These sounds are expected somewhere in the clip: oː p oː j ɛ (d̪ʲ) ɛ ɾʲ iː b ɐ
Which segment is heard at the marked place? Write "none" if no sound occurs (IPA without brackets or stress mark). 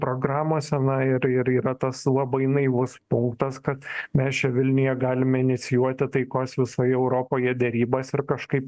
d̪ʲ